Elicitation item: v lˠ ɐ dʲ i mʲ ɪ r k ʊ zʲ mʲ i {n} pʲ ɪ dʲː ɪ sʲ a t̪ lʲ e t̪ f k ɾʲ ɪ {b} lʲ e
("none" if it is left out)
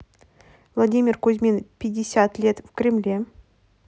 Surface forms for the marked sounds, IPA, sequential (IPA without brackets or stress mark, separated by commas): n, m